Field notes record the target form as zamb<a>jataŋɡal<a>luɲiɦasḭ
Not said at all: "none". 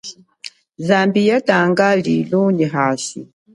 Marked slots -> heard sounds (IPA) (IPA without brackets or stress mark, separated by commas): i, i